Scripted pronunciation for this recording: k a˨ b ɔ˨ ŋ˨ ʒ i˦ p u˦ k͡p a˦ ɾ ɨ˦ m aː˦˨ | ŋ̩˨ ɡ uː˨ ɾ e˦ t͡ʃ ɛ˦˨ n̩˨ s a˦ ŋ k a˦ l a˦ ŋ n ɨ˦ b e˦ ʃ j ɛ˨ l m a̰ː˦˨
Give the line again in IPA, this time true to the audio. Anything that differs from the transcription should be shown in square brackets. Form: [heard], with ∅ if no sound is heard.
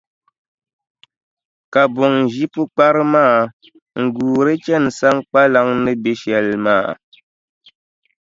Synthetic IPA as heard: k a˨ b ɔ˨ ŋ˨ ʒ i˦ p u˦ k͡p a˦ ɾ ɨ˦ m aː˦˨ | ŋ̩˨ ɡ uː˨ ɾ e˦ t͡ʃ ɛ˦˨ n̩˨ s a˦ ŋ [k͡p] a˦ l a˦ ŋ n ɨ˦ b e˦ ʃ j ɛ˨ l m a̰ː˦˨